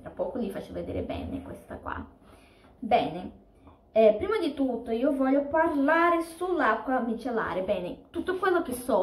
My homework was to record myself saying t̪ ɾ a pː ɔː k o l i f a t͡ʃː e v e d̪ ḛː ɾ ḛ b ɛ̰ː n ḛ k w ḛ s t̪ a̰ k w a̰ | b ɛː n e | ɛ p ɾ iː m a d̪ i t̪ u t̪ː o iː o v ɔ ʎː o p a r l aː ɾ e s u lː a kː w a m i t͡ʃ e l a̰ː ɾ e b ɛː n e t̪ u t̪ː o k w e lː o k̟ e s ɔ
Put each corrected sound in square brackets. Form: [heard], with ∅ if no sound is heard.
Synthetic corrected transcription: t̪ ɾ a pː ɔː k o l i f a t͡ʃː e v e d̪ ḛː ɾ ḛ b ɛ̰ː n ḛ k w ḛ s t̪ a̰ k w a̰ | b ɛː n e | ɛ p ɾ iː m a d̪ i t̪ u t̪ː o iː o v ɔ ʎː o p a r l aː ɾ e s u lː a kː w a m i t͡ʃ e l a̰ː ɾ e b ɛː n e t̪ u t̪ː o k w e lː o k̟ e s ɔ